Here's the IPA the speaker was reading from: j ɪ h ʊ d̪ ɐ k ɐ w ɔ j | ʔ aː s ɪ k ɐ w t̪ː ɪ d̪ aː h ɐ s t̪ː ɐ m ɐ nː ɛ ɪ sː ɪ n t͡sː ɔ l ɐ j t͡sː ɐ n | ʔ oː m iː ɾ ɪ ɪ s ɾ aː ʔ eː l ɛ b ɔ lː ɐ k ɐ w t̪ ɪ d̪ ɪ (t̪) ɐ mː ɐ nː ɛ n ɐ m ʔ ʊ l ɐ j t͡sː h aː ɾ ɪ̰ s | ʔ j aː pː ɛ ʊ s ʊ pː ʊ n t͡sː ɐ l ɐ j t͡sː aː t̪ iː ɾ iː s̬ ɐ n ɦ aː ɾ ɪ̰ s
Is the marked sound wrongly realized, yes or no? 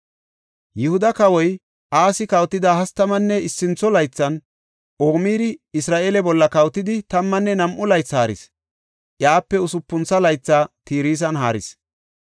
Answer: no